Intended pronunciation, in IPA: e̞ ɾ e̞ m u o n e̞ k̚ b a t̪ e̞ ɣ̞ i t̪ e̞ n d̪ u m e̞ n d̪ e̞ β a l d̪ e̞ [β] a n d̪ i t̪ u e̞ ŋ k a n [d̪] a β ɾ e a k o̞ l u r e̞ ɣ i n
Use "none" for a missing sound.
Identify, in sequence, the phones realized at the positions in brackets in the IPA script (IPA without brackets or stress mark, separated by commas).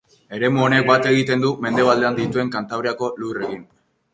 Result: none, t̪